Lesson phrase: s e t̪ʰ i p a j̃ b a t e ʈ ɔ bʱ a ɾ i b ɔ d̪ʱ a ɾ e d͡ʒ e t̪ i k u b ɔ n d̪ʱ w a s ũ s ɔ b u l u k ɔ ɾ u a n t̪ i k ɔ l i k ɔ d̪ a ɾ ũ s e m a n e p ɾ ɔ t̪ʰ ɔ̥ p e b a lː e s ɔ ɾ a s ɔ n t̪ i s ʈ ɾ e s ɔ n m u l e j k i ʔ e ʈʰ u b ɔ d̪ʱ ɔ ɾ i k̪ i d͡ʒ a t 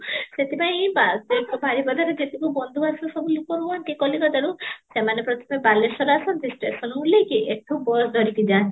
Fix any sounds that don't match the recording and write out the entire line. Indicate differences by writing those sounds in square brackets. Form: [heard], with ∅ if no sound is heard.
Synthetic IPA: s e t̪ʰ i p a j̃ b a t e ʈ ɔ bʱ a ɾ i b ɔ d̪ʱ a ɾ e d͡ʒ e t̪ i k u b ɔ n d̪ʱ [u] a s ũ s ɔ b u l u k ɔ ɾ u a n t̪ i k ɔ l i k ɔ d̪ a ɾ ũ s e m a n e p ɾ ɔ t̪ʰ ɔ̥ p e b a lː e s ɔ ɾ a s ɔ n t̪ i s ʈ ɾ e s ɔ n m u l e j k i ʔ e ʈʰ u b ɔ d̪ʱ ɔ ɾ i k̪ i d͡ʒ a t

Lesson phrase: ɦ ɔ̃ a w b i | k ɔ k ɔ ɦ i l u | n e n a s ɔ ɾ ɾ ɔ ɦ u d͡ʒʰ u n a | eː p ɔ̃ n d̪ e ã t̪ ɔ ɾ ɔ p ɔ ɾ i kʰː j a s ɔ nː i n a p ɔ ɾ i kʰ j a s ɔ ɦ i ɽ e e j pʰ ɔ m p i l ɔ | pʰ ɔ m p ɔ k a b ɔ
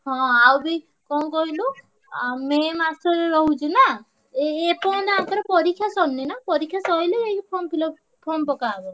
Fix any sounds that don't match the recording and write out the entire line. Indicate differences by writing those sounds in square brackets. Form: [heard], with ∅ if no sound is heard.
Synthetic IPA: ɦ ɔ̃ a w b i | k ɔ k ɔ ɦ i l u | [m] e [m] a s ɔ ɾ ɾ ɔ ɦ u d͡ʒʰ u n a | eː p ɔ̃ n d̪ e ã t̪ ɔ ɾ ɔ p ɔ ɾ i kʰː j a s ɔ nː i n a p ɔ ɾ i kʰ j a s ɔ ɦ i [l] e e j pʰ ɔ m p i l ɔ | pʰ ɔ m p ɔ k a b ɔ

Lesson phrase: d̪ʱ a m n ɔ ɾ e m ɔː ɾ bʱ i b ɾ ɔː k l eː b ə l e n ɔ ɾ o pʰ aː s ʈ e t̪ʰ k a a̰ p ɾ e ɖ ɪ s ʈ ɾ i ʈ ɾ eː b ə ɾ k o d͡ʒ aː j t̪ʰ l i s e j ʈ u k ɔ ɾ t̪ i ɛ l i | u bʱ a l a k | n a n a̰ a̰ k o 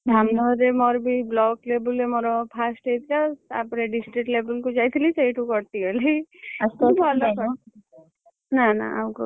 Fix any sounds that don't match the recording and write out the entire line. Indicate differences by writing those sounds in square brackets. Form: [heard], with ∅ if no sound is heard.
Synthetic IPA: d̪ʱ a m n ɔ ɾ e m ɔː ɾ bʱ i b [l] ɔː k l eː b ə l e [m] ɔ ɾ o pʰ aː s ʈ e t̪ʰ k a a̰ p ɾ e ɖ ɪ s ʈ ɾ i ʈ [l] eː b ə [l] k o d͡ʒ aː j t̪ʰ l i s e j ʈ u k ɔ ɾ t̪ i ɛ l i | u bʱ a l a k | n a n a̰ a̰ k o

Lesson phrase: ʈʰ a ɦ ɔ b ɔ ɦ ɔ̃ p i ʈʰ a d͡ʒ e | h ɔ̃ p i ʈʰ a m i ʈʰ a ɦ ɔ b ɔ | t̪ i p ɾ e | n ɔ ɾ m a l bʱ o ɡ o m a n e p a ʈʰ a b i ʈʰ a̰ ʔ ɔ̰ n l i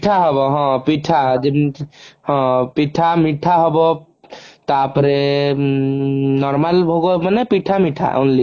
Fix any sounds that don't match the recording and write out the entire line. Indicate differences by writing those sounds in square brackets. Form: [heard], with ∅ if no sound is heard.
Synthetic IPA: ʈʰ a ɦ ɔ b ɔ ɦ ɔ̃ p i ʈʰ a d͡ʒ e | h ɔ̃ p i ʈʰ a m i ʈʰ a ɦ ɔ b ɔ | t̪ [a] p ɾ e | n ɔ ɾ m a l bʱ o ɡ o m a n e p [i] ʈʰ a [m] i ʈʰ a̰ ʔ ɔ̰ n l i

